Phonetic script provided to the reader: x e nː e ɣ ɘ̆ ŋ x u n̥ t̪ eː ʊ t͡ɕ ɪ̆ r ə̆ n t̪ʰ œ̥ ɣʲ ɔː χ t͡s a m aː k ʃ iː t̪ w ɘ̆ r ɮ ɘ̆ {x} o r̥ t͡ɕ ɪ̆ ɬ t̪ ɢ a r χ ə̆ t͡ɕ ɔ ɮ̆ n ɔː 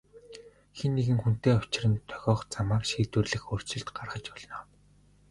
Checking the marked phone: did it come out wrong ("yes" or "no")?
no